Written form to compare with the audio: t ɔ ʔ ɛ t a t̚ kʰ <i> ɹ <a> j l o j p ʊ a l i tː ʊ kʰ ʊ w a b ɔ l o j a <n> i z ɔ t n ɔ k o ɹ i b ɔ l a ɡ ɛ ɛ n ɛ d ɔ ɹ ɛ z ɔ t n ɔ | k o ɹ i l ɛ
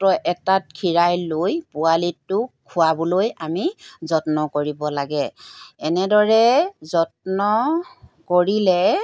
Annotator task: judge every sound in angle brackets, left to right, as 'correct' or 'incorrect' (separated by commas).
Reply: correct, correct, incorrect